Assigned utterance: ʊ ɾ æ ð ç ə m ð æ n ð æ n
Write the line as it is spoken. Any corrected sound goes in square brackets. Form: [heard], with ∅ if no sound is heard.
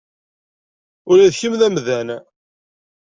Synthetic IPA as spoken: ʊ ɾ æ ð ç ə m ð æ [m] ð æ n